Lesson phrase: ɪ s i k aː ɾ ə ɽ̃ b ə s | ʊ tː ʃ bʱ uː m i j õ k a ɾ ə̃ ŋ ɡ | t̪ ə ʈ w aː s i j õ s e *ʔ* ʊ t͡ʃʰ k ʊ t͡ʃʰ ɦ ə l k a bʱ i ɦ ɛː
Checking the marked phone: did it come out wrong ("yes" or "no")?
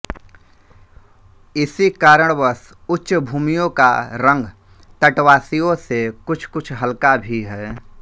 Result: yes